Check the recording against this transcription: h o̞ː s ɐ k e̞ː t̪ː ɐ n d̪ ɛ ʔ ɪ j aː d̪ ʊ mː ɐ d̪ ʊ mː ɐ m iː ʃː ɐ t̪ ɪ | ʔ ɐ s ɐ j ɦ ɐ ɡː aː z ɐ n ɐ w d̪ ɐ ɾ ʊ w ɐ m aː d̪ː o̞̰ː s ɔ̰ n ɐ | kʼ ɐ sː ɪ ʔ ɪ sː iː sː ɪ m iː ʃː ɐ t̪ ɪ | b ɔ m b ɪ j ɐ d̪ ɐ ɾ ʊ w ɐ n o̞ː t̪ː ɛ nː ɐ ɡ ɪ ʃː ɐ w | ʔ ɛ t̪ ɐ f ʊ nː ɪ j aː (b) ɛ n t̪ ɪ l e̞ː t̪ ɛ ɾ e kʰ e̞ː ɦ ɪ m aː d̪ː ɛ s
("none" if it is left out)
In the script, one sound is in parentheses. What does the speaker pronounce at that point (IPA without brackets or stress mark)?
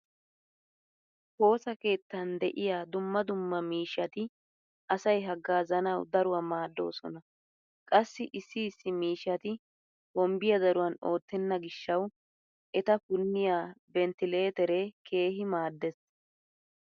b